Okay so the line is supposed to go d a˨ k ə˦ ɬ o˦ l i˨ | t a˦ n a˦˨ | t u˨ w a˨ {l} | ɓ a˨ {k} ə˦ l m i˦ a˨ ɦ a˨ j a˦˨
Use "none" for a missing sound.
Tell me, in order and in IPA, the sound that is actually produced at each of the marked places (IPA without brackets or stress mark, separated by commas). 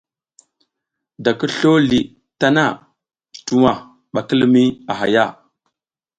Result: none, k